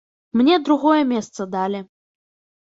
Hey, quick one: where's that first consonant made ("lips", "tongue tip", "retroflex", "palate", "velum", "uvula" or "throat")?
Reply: lips